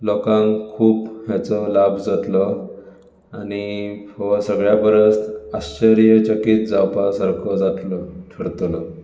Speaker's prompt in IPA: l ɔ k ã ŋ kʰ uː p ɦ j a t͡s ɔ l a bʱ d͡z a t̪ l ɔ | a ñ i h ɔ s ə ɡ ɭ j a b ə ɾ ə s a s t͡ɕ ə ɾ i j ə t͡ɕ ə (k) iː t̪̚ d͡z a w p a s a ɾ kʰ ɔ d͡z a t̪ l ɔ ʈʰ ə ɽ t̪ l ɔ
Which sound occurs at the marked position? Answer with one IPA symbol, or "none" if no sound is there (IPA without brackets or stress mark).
k